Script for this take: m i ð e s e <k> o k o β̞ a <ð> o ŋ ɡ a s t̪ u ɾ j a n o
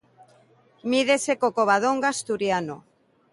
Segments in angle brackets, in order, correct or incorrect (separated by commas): correct, correct